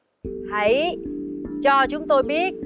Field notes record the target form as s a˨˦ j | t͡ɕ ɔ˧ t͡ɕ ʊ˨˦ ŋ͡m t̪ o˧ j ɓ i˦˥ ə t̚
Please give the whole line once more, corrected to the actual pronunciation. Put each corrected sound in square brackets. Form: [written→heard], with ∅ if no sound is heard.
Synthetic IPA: [s→h] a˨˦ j | t͡ɕ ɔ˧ t͡ɕ ʊ˨˦ ŋ͡m t̪ o˧ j ɓ i˦˥ ə t̚